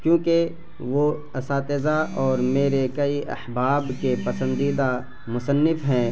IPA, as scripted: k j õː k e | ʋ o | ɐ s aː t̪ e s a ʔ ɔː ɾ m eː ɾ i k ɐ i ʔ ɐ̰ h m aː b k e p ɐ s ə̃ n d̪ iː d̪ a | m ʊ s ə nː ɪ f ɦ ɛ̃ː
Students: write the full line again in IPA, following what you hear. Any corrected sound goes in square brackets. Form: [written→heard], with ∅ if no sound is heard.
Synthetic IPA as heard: k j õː k e | ʋ o | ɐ s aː t̪ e [s→z] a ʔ ɔː ɾ m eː ɾ [i→e] k ɐ i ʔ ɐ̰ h [m→b] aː b k e p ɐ s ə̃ n d̪ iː d̪ a | m ʊ s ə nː ɪ f ɦ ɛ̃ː